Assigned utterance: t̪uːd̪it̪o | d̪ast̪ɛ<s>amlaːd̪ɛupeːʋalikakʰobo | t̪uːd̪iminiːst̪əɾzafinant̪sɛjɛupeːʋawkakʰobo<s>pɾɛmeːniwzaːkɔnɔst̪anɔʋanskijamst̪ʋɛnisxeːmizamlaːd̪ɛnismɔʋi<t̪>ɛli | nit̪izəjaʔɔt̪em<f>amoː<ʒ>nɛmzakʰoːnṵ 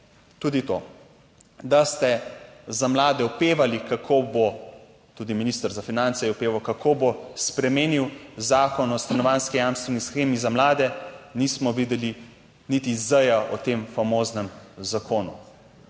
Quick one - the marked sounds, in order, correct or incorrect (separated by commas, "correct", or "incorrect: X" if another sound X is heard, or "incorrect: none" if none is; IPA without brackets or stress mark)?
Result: incorrect: z, correct, incorrect: d̪, correct, incorrect: z